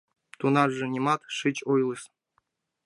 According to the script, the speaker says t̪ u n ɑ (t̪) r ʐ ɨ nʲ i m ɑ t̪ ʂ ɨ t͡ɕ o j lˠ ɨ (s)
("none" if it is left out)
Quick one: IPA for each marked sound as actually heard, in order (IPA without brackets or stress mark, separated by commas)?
none, s